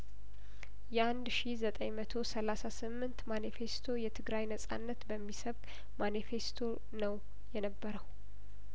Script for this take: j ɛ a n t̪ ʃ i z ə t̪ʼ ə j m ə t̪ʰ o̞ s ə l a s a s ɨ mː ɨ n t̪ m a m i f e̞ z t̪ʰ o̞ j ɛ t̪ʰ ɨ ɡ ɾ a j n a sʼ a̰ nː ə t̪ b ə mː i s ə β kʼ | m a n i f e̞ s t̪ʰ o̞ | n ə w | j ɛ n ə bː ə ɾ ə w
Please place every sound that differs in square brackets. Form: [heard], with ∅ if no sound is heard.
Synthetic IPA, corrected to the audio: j ɛ a n [d̪] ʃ i z ə t̪ʼ ə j m ə t̪ʰ o̞ s ə l a s a s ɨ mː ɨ n t̪ m a [n] i f e̞ [s] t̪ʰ o̞ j ɛ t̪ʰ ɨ ɡ ɾ a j n [ə] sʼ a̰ nː ə t̪ b ə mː i s ə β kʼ | m a n i f e̞ s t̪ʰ o̞ | n ə w | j ɛ n ə bː ə ɾ ə w